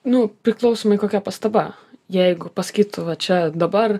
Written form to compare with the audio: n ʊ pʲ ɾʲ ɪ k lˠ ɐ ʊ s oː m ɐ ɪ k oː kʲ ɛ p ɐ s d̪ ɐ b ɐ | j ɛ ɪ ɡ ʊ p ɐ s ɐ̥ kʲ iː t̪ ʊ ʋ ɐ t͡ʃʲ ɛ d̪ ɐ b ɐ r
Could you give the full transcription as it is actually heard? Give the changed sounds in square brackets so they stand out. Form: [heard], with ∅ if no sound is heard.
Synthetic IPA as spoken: n ʊ pʲ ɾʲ ɪ k lˠ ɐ ʊ s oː m ɐ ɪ k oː kʲ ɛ p ɐ s [t̪] ɐ b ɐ | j ɛ ɪ ɡ ʊ p ɐ s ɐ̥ kʲ iː t̪ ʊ ʋ ɐ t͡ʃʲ ɛ d̪ ɐ b ɐ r